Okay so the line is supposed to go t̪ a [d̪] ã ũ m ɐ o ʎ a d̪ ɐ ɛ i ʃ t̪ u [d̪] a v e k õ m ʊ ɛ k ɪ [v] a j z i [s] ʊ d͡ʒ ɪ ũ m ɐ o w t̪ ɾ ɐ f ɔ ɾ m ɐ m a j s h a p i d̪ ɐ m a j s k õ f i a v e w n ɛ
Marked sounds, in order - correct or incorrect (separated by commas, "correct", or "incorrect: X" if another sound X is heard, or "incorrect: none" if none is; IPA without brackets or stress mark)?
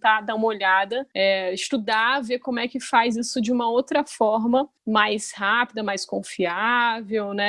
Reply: correct, correct, incorrect: f, correct